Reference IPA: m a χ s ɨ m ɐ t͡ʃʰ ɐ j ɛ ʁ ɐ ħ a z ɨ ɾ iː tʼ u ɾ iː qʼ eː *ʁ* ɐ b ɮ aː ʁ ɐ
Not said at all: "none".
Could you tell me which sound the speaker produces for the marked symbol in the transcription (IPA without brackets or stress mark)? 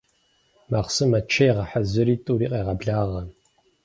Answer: ʁ